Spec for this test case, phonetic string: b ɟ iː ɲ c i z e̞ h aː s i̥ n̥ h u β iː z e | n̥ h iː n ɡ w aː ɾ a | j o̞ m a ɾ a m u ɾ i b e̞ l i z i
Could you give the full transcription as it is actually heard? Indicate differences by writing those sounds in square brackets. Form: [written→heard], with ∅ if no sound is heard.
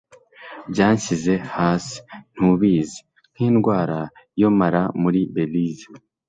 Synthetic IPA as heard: b ɟ [iː→aː] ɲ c i z e̞ h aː s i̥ n̥ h u β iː z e | n̥ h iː n ɡ w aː ɾ a | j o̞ m a ɾ a m u ɾ i b e̞ l i z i